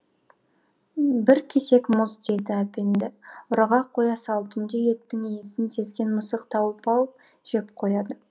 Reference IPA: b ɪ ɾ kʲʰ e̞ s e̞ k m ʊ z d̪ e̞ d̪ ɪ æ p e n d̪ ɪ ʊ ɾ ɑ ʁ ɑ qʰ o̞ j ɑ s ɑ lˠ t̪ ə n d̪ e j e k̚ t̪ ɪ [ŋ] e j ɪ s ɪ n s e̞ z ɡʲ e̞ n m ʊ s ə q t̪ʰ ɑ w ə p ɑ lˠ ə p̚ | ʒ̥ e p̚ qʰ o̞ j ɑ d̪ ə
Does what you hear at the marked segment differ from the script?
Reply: no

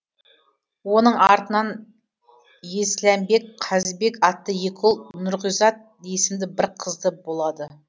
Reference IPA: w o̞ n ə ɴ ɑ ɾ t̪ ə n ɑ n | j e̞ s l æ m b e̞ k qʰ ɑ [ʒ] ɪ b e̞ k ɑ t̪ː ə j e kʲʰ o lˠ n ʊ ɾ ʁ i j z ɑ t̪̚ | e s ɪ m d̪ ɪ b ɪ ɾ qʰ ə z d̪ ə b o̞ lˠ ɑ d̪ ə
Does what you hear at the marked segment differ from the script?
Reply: yes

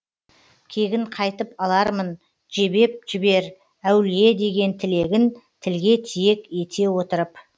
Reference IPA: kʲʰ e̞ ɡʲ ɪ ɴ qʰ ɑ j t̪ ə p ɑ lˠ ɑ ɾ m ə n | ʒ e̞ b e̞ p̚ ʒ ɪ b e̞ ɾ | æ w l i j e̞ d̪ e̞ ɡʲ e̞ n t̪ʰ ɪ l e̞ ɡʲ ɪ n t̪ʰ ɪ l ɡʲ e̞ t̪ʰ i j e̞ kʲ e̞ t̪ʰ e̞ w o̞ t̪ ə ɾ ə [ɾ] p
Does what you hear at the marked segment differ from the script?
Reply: yes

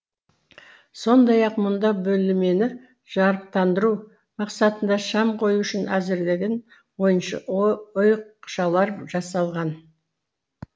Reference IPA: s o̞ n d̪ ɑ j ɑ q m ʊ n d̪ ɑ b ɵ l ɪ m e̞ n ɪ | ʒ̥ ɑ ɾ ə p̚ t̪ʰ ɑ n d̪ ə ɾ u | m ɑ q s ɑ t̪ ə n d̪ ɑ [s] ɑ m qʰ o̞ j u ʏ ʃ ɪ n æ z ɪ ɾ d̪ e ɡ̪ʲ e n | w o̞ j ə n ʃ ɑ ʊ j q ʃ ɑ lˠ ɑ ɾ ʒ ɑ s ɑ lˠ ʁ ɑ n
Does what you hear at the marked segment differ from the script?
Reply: yes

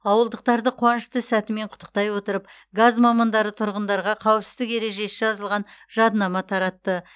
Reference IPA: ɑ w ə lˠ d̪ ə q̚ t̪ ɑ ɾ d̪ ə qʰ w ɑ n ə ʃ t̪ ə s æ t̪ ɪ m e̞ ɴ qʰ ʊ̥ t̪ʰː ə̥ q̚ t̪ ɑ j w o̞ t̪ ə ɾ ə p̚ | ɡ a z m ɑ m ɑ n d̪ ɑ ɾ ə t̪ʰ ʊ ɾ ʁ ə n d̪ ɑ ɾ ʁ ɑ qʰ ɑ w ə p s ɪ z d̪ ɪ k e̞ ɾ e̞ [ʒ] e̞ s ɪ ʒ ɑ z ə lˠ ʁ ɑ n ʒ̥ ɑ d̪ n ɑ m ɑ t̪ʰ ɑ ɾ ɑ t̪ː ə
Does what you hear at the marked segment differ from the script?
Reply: no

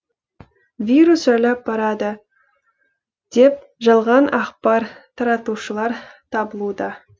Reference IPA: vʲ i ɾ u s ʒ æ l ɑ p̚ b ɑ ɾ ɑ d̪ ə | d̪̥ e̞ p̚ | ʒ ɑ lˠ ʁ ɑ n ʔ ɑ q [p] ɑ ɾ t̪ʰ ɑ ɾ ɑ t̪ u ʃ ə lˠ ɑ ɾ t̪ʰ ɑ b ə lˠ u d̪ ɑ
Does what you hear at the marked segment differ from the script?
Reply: no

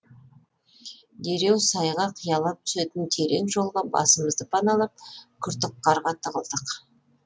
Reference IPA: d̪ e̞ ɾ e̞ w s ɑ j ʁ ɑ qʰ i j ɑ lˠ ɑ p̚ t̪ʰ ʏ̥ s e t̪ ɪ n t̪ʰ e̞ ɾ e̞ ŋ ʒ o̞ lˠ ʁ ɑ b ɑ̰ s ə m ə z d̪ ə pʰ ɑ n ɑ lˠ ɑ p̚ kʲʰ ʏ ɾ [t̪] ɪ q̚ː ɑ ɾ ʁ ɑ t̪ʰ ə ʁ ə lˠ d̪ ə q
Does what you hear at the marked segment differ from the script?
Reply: no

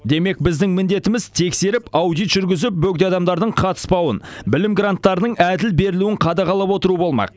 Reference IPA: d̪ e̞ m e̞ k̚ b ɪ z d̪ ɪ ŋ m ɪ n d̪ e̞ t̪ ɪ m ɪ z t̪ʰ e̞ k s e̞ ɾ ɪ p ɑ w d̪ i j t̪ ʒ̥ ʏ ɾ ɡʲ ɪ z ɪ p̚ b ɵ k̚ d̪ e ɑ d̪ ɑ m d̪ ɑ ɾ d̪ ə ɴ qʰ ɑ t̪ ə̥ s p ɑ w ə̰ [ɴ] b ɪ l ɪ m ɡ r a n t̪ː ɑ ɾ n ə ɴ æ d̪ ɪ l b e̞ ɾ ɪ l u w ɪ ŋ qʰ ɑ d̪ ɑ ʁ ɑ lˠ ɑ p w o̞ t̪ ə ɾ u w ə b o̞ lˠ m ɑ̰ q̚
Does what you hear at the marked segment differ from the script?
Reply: yes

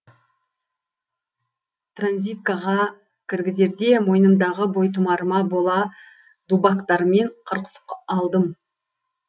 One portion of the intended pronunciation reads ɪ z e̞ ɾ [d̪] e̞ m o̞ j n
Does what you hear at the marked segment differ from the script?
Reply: no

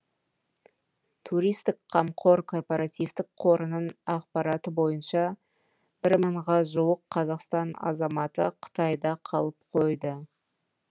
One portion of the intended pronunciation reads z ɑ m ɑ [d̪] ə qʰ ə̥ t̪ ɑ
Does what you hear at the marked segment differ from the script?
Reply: yes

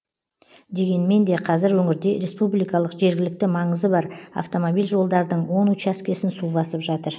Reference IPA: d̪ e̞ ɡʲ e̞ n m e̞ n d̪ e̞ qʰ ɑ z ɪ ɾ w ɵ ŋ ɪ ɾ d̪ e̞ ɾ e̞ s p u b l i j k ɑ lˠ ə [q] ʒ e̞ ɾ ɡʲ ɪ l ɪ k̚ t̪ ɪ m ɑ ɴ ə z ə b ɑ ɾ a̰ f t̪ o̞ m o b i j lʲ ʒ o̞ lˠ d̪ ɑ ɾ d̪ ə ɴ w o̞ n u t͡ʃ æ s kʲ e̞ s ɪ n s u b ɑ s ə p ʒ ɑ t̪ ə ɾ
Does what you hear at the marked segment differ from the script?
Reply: no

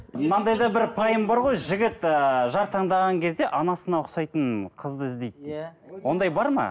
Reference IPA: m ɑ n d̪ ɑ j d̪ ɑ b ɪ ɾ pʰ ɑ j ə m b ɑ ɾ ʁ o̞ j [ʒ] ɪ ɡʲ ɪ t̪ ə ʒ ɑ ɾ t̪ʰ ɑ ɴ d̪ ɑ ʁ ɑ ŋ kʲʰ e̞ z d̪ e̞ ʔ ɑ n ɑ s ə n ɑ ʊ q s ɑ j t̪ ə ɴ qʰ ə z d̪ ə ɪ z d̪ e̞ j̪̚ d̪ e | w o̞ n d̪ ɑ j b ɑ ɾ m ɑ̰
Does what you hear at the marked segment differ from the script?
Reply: no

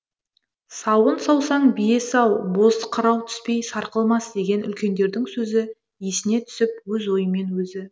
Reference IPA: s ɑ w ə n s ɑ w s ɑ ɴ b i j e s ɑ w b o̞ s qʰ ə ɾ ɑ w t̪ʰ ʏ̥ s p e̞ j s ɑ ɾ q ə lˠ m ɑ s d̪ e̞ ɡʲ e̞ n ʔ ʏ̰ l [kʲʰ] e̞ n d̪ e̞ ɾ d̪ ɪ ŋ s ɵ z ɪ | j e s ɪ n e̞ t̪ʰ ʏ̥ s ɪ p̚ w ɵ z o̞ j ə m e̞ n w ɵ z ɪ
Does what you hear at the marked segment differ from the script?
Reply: yes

